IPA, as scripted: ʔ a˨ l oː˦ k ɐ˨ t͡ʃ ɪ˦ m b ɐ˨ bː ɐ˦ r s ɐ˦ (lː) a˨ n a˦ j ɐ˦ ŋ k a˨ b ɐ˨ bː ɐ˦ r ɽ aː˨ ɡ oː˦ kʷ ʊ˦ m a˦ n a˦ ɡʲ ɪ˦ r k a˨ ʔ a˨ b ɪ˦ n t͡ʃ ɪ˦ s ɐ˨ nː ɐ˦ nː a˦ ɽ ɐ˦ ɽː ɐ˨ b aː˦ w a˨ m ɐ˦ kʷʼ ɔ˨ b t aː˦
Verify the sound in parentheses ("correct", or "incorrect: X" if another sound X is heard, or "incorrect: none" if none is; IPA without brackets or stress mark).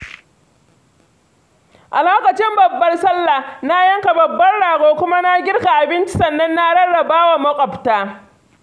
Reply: correct